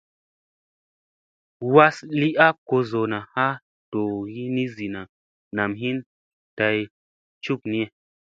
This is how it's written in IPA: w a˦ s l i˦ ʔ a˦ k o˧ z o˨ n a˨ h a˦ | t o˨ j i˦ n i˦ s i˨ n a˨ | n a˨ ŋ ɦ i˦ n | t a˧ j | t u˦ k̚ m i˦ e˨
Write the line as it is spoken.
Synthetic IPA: w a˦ s l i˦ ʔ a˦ k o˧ z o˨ n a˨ h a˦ | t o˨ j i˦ n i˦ z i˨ n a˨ | n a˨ m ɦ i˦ n | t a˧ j | t͡ʃ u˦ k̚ n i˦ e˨